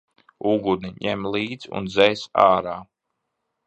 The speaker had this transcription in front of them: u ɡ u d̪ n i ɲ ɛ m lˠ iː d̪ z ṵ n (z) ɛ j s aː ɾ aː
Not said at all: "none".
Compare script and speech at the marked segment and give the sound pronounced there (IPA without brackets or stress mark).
z